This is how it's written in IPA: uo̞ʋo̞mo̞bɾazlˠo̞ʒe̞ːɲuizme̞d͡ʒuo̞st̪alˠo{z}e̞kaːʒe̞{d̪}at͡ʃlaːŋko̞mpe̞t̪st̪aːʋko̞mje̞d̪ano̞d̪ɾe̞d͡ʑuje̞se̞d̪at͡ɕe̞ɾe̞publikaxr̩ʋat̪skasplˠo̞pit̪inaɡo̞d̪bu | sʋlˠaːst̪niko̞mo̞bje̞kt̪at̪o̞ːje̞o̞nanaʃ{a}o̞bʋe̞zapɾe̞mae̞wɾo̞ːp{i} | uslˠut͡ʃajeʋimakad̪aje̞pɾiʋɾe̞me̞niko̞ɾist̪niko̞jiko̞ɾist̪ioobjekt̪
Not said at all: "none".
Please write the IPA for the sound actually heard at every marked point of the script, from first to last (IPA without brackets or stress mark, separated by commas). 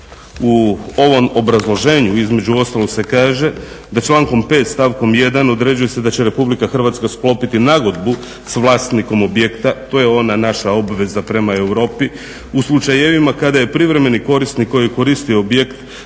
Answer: s, d̪, a, i